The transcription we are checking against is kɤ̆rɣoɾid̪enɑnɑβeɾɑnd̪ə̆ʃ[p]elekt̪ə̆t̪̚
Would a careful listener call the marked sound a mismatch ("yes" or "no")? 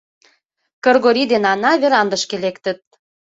yes